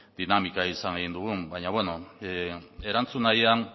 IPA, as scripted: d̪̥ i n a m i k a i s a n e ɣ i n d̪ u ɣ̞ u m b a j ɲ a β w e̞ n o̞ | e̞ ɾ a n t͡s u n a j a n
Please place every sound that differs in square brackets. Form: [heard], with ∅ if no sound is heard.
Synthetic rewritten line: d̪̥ i n a m i k a i s a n e ɣ i n d̪ u ɣ̞ u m b a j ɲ a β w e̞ n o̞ | e̞ ɾ a n t͡s u n a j a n